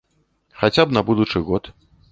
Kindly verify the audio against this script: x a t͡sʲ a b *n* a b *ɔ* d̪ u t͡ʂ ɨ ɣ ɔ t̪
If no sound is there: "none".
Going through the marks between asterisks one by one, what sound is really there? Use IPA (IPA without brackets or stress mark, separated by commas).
n, u